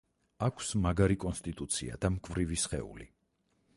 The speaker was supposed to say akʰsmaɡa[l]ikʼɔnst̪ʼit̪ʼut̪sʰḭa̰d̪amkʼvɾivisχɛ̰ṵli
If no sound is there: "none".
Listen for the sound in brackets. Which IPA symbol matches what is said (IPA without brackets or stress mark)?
ɾ